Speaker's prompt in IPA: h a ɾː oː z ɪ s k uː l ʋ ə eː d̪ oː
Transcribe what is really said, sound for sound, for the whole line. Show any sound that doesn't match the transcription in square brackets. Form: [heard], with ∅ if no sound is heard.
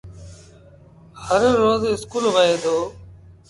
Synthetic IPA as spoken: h [ə] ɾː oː z ɪ s k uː l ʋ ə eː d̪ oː